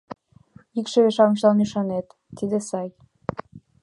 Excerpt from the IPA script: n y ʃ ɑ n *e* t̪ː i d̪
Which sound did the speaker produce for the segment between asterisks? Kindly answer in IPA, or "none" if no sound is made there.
e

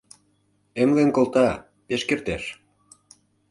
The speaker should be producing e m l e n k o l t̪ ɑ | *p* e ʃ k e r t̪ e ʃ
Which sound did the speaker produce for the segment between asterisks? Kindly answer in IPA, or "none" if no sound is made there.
p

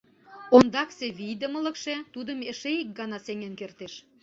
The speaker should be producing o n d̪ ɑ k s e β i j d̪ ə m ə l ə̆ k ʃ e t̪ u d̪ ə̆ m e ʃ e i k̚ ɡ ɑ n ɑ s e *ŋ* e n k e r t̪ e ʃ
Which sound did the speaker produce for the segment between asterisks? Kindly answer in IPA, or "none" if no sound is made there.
ŋ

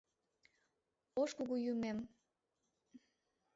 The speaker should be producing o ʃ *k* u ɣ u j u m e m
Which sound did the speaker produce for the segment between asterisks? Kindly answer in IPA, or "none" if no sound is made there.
k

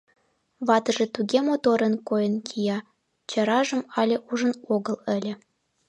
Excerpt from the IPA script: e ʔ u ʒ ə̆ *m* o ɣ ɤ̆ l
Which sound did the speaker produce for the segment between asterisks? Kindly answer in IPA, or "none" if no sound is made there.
n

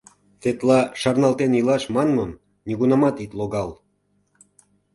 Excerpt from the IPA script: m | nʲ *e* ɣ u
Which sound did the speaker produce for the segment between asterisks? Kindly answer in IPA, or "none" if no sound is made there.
i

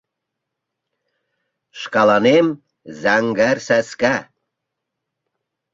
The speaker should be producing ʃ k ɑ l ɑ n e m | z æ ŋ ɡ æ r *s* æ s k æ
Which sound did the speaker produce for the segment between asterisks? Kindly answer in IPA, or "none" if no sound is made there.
s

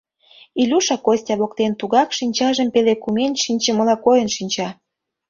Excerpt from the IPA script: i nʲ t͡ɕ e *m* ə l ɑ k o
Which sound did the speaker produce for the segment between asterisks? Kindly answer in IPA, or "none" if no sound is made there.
m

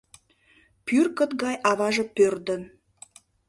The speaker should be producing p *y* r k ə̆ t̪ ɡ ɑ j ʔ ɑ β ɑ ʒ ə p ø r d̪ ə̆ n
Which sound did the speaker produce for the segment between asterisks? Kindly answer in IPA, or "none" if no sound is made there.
y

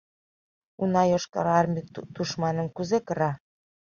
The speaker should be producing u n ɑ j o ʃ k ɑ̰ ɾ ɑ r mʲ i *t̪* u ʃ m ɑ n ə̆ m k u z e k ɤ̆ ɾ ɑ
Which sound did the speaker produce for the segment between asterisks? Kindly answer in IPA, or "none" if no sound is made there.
t̪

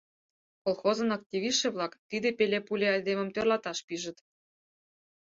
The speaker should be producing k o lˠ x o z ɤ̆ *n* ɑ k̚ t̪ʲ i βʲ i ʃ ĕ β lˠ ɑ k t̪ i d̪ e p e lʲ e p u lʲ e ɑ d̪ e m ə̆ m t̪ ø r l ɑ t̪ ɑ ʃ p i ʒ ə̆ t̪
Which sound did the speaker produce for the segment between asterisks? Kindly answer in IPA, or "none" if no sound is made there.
n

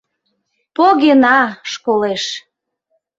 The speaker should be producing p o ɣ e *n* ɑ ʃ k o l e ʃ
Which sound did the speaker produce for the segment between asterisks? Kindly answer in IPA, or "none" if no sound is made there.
n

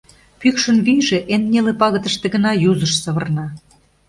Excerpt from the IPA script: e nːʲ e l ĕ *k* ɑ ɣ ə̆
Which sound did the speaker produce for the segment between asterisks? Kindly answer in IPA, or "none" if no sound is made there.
p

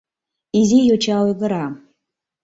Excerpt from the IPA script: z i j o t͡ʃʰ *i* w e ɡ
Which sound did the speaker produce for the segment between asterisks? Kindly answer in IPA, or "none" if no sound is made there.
a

